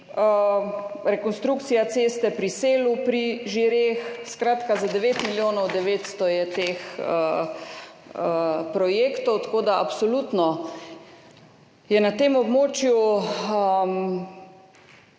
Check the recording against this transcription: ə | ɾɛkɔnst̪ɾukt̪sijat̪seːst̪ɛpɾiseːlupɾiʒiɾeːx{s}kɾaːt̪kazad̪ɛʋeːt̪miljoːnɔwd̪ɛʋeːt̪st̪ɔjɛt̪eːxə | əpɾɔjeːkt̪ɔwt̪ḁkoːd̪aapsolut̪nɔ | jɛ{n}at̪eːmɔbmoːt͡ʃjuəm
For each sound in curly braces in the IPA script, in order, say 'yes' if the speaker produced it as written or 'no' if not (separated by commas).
yes, yes